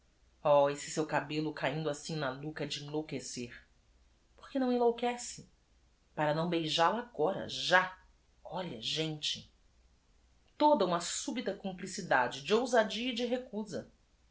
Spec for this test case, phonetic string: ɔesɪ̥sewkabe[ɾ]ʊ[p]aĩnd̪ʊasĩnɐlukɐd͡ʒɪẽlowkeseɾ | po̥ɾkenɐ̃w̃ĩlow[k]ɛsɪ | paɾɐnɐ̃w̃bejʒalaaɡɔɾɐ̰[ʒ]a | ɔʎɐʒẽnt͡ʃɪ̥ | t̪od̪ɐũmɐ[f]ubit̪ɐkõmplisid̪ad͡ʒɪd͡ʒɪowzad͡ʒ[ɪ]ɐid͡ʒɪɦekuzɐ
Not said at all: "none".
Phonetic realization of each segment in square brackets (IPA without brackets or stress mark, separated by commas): l, k, k, ʒ, s, i